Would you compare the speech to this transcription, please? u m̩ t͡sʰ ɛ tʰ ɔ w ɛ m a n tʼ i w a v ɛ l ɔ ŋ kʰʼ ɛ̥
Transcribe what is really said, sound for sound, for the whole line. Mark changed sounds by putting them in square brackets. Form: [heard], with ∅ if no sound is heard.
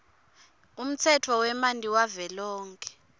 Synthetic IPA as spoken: u m̩ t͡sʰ ɛ tʰ ɔ w ɛ m a n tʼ i w a v ɛ l [ɔː] ŋ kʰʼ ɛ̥

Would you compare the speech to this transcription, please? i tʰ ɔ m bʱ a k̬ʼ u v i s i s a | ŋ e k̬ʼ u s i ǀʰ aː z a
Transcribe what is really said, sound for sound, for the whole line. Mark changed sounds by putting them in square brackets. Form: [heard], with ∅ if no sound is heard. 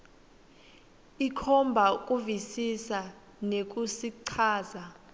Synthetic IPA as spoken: i [kʰ] ɔ m bʱ a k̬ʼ u v i s i s a | [n] e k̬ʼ u s i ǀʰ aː z a

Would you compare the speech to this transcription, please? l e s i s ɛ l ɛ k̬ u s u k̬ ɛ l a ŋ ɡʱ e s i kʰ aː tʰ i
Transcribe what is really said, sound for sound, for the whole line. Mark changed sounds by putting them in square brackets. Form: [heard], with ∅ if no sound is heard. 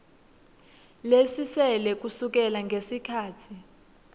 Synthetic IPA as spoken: l e s i s ɛ l ɛ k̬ u s u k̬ ɛ l a ŋ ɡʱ e s i kʰ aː tʰ i

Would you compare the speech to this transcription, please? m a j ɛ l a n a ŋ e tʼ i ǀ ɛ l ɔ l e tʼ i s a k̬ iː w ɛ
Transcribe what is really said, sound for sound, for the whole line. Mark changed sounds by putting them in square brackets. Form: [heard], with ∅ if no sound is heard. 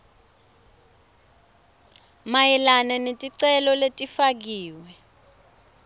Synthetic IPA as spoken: m a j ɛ l a n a [n] e tʼ i ǀ ɛ l ɔ l e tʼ i [f] a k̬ iː w ɛ

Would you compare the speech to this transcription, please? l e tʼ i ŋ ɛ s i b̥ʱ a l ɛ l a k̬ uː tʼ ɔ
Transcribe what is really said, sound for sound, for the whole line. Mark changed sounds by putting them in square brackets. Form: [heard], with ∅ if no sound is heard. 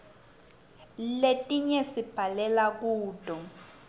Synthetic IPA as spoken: l e tʼ i [ɲ] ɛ s i b̥ʱ a l ɛ l a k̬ uː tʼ ɔ

